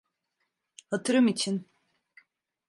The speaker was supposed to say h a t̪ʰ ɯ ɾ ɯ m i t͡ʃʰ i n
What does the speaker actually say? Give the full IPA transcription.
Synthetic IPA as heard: h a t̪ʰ ɯ ɾ ɯ m i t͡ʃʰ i n